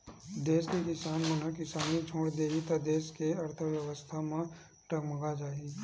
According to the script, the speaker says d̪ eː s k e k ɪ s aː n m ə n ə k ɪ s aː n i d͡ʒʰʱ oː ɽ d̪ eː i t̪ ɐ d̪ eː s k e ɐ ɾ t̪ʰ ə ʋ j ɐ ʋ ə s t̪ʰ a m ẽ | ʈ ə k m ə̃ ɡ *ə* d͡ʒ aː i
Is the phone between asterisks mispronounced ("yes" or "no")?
yes